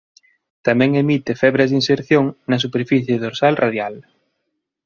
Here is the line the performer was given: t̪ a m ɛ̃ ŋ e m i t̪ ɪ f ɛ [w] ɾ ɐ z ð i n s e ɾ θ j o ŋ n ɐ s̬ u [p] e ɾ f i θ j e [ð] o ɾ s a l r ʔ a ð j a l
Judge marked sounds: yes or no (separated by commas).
no, yes, yes